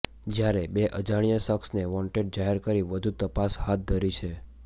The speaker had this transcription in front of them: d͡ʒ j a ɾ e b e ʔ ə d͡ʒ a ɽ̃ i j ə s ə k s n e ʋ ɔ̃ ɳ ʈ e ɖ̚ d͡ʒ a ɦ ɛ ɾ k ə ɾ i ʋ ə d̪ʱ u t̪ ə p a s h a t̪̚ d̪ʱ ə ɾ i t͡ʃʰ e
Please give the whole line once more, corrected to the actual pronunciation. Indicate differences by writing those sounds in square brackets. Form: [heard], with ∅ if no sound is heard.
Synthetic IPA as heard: d͡ʒ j a ɾ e b e ʔ ə d͡ʒ a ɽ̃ i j ə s ə k s n e ʋ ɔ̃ ɳ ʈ e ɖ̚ d͡ʒ a ɦ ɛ ɾ k ə ɾ i ʋ ə d̪ʱ u t̪ ə p a s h a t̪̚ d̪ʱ ə ɾ i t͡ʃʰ e